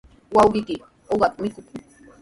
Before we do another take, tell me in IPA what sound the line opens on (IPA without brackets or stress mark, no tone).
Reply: w